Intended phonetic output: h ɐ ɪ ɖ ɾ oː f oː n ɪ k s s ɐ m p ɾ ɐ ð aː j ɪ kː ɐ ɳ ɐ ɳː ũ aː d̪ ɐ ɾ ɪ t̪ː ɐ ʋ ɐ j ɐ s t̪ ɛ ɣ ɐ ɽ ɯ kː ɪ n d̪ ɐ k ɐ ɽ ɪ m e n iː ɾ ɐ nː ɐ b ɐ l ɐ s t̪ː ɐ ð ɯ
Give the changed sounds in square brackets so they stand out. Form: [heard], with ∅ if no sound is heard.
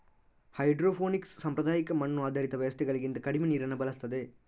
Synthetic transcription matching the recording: h ɐ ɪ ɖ ɾ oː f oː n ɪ k s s ɐ m p ɾ ɐ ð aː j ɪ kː ɐ [m] ɐ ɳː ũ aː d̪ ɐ ɾ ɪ t̪ː ɐ ʋ ɐ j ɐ s t̪ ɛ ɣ ɐ [ɭ] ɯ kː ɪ n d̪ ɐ k ɐ ɽ ɪ m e n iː ɾ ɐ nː ɐ b ɐ l ɐ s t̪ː ɐ ð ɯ